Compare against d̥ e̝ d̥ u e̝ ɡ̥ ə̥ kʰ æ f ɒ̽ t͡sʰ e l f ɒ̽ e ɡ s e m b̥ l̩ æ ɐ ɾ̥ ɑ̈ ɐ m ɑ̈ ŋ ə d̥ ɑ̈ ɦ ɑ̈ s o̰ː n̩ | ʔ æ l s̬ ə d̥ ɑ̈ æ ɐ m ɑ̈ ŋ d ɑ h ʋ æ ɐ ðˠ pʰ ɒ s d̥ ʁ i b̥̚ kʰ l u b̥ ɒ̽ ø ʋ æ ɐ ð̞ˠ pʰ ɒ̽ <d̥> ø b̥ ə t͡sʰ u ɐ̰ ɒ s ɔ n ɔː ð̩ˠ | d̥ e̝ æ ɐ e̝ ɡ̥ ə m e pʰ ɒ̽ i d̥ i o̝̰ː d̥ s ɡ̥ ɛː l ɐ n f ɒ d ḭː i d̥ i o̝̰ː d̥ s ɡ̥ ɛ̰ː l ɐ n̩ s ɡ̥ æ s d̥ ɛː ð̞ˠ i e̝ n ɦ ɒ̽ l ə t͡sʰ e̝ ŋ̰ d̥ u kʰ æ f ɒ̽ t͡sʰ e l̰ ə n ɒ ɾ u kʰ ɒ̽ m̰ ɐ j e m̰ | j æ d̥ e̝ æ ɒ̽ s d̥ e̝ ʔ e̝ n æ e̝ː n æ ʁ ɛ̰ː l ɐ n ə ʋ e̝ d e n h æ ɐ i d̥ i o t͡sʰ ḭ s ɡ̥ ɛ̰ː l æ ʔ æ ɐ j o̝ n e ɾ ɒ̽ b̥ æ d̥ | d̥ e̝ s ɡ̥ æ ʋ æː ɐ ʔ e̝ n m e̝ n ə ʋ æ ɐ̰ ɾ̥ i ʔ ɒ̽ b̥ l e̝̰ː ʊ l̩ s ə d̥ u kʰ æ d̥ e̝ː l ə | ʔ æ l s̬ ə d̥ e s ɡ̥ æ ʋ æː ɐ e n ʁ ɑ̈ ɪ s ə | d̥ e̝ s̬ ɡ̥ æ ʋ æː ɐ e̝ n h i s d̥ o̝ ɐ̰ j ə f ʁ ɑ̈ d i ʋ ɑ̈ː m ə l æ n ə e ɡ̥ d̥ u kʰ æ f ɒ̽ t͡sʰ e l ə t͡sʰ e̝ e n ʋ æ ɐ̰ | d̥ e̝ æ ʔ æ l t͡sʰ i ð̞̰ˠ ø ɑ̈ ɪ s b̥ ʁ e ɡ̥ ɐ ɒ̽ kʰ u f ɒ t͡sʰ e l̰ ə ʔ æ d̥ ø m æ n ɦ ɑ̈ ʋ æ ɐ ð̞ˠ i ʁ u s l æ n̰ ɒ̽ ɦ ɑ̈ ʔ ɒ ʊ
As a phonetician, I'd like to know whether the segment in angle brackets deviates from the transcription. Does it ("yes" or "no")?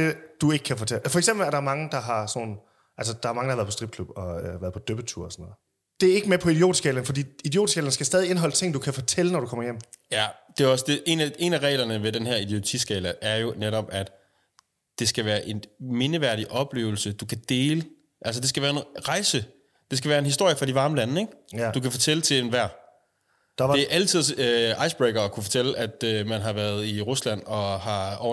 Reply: no